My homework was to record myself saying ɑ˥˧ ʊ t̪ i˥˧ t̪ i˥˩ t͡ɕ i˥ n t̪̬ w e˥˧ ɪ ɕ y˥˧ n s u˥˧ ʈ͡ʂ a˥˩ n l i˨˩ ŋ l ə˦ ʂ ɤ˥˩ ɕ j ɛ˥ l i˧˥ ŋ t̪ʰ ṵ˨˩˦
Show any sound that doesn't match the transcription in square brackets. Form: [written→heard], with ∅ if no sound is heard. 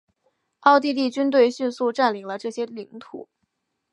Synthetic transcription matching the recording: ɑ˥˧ ʊ t̪ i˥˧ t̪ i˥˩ t͡ɕ [i˥→y˥] n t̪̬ w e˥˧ ɪ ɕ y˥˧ n s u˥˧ ʈ͡ʂ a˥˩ n l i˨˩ ŋ l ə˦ [ʂ→ʈ͡ʂ] ɤ˥˩ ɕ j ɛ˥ l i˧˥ ŋ t̪ʰ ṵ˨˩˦